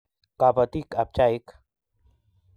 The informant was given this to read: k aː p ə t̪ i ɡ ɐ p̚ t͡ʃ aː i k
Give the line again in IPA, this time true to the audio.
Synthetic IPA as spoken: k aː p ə t̪ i k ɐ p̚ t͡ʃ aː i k